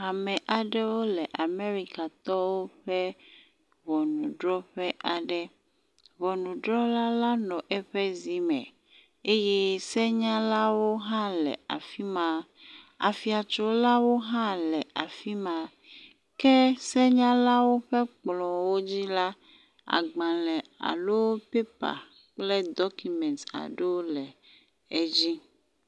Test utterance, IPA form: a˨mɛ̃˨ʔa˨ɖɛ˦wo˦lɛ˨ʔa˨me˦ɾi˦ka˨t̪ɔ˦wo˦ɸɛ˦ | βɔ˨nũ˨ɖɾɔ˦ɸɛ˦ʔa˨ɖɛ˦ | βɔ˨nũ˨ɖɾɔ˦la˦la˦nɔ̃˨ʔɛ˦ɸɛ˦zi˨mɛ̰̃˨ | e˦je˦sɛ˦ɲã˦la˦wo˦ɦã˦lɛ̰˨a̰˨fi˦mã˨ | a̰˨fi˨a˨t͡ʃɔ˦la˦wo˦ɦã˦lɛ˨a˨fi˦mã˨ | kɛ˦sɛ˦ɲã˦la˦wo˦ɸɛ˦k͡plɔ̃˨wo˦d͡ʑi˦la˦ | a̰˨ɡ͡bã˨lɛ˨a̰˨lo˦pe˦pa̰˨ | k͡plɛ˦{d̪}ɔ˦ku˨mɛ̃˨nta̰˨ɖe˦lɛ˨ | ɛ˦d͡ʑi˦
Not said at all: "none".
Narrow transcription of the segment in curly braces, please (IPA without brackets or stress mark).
d̪